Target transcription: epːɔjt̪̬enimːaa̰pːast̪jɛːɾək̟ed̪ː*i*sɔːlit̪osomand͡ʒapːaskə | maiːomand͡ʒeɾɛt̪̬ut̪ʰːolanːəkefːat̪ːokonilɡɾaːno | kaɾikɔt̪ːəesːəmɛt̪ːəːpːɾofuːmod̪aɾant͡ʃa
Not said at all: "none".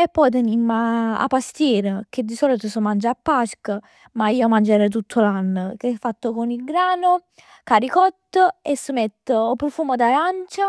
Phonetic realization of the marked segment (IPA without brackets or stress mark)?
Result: i